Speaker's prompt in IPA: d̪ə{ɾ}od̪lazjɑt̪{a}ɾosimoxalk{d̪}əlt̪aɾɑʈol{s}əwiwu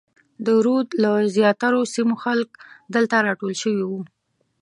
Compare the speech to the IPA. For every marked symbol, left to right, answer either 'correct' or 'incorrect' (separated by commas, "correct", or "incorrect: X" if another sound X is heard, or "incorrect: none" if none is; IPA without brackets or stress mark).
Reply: correct, correct, correct, incorrect: ʃ